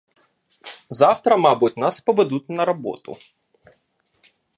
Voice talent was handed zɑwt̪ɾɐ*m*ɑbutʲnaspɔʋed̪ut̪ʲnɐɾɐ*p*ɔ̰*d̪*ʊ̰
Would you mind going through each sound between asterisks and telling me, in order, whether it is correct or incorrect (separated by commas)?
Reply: correct, incorrect, incorrect